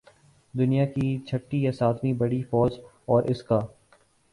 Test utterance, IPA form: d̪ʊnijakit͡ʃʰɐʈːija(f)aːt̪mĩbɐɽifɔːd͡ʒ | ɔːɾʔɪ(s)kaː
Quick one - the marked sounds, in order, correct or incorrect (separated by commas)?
incorrect, correct